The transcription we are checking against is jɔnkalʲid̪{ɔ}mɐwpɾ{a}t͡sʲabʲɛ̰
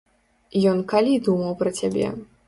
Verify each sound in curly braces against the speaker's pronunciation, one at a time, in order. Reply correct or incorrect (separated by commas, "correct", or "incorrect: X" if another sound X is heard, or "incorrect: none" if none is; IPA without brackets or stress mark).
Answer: incorrect: u, incorrect: ɐ